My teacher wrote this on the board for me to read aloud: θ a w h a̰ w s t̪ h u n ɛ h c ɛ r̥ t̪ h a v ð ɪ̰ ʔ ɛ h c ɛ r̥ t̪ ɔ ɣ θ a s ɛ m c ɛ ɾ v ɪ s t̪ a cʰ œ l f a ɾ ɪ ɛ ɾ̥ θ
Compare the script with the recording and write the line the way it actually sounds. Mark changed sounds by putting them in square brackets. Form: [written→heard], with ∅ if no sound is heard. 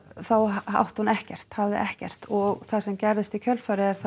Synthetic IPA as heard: θ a w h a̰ w [s→h] t̪ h u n ɛ h c ɛ r̥ t̪ h a v ð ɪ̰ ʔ ɛ h c ɛ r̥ t̪ ɔ ɣ θ a s ɛ m c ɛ ɾ [v→ð] ɪ s t̪ [a→i] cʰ œ l f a ɾ ɪ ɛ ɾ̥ θ

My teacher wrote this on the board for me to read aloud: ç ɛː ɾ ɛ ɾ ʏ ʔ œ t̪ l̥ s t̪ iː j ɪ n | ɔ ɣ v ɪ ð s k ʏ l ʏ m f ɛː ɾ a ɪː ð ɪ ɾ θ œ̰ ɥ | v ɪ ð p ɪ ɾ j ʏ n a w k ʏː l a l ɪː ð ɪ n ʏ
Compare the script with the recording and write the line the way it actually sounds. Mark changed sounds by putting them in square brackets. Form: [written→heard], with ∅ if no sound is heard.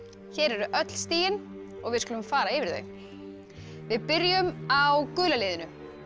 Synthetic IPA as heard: ç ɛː ɾ ɛ ɾ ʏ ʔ œ t̪ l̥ s t̪ iː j ɪ n | ɔ ɣ v ɪ ð s k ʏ l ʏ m f [ɛː→aː] ɾ a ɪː [ð→v] ɪ ɾ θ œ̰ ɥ | v ɪ ð p ɪ ɾ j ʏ [n→m] a w k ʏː l a l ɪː ð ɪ n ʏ

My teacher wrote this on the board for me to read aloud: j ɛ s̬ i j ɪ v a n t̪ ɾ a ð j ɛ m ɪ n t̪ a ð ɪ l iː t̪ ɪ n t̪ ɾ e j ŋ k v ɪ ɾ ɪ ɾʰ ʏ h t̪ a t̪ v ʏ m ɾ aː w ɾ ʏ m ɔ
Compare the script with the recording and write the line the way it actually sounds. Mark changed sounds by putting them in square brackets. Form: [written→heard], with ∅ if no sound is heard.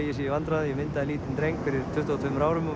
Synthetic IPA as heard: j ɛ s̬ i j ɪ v a n t̪ ɾ a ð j ɛ m ɪ n t̪ a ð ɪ l iː t̪ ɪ n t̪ ɾ e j ŋ k [v→f] ɪ ɾ ɪ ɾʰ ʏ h t̪ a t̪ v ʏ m ɾ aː w ɾ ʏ m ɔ

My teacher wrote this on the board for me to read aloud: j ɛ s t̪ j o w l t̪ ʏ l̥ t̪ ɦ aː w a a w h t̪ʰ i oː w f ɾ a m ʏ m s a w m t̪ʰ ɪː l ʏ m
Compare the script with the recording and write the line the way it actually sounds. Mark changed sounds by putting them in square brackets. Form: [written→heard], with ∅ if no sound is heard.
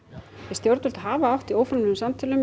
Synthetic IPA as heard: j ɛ s t̪ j o w [l→ɾ] t̪ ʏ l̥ t̪ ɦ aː [w→v] a a w h [t̪ʰ→t̪] i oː w f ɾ a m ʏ m s a [w→∅] m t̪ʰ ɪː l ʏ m

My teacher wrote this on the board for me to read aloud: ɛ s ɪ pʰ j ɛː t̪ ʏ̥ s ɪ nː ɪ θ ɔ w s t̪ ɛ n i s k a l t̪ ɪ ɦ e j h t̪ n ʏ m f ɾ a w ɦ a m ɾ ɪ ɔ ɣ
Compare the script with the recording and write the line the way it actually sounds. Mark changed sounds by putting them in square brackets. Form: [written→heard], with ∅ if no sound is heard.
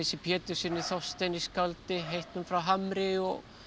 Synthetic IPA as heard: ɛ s ɪ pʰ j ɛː t̪ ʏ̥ s ɪ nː ɪ θ ɔ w s t̪ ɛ n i s k a l t̪ ɪ ɦ e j h t̪ n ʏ m f ɾ a w ɦ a m ɾ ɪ ɔ ɣ

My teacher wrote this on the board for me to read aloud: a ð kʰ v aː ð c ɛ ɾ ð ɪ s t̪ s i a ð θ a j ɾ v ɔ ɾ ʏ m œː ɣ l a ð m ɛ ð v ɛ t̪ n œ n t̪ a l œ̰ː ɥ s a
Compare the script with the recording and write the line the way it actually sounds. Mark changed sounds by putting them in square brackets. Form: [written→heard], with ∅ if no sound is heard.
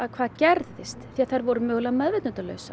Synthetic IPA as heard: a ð kʰ v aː ð c ɛ ɾ ð ɪ s t̪ [s→θ] i a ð θ a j ɾ v ɔ ɾ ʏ m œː ɣ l a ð m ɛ ð v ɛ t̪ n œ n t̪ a l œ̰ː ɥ s a

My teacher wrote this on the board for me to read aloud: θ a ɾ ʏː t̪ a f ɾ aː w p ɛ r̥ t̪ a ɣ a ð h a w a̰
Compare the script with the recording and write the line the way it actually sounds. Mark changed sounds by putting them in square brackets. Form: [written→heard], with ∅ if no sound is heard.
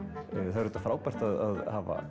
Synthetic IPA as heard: θ a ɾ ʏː t̪ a f ɾ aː w p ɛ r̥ t̪ a [ɣ→ð] a ð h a [w→v] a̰

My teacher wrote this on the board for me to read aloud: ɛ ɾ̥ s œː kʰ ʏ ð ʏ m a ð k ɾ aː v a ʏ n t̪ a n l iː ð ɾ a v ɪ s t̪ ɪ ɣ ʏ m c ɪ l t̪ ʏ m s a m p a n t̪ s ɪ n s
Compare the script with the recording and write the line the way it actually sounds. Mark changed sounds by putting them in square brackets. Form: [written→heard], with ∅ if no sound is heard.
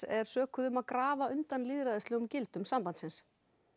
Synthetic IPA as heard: ɛ ɾ̥ s œː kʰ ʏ ð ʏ m a ð k ɾ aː v a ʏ n t̪ a n l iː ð ɾ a [v→ð] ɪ s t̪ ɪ ɣ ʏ m c ɪ l t̪ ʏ m s a m p a n t̪ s ɪ n s

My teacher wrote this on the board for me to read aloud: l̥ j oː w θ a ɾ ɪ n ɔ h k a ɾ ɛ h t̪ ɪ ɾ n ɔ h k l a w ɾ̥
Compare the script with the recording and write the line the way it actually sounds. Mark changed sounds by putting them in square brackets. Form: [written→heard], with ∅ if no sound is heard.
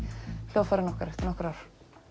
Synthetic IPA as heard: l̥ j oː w [θ→f] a ɾ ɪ n ɔ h k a ɾ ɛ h t̪ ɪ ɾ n ɔ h k [l→ɾ] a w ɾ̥

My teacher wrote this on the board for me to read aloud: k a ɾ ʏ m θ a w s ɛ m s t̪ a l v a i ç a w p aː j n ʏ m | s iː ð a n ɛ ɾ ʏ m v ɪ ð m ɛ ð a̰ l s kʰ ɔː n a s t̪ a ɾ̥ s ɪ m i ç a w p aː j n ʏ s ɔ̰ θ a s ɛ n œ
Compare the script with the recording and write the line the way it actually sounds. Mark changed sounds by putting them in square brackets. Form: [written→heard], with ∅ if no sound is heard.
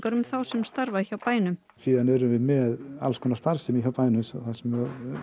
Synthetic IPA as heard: k a ɾ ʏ m θ a w s ɛ m s t̪ a [l→ɾ] v a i ç a w p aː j n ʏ m | s iː ð a n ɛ ɾ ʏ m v ɪ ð m ɛ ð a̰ l s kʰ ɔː n a s t̪ a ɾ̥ s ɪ m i ç a w p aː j n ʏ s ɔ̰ θ a s ɛ [n→m] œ

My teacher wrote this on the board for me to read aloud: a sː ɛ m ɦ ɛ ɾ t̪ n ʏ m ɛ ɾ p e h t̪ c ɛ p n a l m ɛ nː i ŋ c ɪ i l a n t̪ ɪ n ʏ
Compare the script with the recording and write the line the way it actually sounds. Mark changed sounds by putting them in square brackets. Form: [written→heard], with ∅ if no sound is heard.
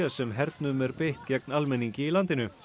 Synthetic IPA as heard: a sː ɛ m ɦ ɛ ɾ t̪ n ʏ m ɛ ɾ p e h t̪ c ɛ [p→k] n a l m ɛ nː i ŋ c ɪ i l a n t̪ ɪ n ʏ

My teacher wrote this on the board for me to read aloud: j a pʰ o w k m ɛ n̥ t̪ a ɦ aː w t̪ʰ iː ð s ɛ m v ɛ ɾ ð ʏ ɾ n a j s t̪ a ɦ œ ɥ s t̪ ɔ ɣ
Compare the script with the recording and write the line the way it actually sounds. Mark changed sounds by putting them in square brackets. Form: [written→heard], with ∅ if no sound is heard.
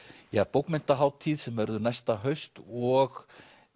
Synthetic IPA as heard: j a [pʰ→p] o w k m ɛ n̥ t̪ a ɦ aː w t̪ʰ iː ð s ɛ m v ɛ ɾ ð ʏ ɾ n a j s t̪ a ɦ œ ɥ s t̪ ɔ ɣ

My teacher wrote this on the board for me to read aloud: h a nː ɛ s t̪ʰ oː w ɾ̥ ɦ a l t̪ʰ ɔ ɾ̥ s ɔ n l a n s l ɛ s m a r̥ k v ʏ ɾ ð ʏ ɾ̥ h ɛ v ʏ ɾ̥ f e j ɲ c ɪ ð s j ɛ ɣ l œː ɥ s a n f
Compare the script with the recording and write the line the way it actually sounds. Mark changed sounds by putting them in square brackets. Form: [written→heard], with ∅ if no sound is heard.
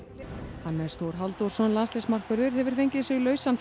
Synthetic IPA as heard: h a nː ɛ s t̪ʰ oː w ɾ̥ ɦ a l [t̪ʰ→t̪] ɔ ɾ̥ s ɔ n l a n s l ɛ s m a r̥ k v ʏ ɾ ð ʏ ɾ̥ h ɛ v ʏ ɾ̥ f e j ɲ c ɪ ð s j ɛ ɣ l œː ɥ s a n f

